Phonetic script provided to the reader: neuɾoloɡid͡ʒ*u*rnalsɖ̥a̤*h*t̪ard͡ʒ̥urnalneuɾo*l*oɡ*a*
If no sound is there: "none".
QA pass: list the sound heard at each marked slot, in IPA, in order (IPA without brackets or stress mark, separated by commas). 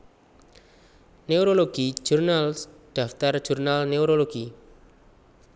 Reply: u, f, l, i